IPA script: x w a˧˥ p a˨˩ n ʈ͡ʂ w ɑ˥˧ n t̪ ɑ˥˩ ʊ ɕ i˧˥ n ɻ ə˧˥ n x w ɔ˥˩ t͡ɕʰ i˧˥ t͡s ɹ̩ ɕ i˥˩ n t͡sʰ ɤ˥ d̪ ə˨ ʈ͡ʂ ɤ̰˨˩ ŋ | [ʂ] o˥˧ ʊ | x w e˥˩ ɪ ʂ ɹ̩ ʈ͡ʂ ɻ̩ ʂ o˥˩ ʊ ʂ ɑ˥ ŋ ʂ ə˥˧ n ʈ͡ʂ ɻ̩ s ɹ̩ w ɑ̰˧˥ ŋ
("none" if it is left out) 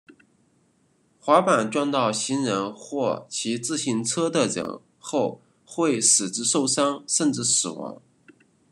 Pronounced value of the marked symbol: x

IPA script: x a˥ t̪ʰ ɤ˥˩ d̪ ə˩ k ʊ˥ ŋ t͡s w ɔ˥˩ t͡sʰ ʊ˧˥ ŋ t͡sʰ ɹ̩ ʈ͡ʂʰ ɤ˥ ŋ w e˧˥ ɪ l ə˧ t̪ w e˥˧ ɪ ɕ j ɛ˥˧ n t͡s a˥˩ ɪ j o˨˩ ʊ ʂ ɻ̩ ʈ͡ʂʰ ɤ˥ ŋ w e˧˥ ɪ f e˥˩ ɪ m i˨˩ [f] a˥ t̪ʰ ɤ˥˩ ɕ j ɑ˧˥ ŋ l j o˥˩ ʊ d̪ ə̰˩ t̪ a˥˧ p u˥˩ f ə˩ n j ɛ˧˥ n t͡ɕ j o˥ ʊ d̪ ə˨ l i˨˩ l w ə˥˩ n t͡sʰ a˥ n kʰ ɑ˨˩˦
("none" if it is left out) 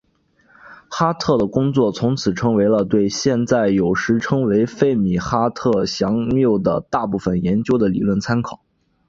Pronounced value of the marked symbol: x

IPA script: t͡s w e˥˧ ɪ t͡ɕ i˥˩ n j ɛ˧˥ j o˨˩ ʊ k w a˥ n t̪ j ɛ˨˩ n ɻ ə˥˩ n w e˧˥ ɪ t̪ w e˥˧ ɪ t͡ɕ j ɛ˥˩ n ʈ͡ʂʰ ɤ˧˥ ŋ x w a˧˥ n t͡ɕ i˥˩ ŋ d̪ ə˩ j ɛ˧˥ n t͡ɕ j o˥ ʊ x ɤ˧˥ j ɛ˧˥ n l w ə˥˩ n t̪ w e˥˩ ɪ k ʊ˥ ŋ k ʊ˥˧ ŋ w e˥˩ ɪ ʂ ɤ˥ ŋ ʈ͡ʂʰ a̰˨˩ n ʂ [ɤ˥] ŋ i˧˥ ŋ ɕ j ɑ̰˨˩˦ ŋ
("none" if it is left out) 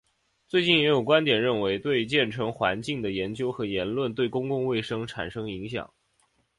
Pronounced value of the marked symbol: ɤ˥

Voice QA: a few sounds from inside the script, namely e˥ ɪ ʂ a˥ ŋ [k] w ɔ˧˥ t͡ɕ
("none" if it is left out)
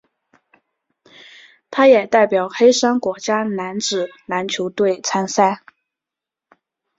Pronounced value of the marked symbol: k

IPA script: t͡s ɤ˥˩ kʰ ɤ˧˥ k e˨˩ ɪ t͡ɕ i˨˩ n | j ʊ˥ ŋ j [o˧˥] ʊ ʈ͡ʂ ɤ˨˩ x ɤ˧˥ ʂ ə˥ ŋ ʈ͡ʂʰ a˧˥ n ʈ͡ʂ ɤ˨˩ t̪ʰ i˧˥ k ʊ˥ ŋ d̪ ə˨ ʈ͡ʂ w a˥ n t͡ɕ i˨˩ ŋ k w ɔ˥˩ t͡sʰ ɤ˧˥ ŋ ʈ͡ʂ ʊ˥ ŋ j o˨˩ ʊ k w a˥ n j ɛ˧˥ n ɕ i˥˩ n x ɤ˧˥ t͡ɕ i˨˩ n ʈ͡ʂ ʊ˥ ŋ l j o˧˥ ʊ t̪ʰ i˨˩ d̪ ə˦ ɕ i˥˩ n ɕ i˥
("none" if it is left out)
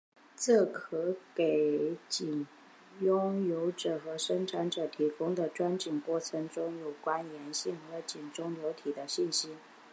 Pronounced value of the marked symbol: o˧˥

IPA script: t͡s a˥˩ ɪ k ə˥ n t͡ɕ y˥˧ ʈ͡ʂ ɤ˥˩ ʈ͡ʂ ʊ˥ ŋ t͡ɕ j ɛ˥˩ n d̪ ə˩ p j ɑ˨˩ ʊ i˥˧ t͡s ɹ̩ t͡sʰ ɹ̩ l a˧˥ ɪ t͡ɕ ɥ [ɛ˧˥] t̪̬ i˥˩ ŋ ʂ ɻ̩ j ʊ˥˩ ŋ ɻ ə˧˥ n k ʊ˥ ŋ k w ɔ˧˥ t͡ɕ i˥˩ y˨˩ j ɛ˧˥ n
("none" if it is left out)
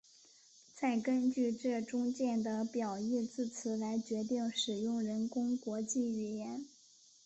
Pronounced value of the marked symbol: ɛ˧˥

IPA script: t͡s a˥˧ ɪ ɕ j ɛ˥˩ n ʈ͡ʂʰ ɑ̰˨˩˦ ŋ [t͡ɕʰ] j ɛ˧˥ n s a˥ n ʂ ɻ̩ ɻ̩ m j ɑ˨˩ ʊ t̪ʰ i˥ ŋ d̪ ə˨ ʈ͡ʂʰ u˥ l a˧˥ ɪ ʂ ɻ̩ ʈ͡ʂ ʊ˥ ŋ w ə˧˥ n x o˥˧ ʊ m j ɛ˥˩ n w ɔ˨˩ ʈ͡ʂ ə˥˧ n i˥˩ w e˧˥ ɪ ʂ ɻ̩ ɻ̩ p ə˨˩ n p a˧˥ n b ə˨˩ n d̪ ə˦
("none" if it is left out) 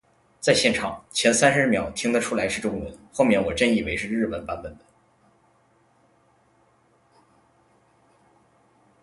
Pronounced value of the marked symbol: t͡ɕʰ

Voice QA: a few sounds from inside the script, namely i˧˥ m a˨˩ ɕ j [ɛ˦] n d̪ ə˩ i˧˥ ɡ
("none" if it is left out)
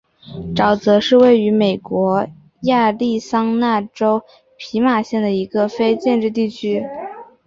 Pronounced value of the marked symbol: ɛ˥˩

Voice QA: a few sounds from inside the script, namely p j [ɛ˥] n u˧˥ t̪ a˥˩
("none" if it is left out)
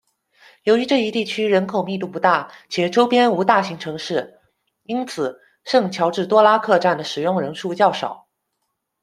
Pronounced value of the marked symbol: ɛ˥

